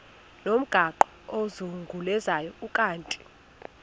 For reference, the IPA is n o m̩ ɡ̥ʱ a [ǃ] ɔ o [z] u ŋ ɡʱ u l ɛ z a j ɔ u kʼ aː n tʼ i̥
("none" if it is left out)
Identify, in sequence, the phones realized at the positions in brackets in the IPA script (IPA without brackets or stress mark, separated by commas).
ǃ, z